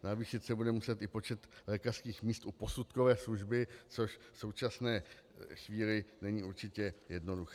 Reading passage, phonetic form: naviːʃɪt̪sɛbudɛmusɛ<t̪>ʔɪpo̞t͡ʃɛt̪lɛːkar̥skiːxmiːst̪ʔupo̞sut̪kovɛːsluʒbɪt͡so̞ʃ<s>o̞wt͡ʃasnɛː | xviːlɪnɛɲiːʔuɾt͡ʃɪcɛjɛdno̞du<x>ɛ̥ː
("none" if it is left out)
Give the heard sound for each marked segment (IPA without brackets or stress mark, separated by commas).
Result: t̪, s, x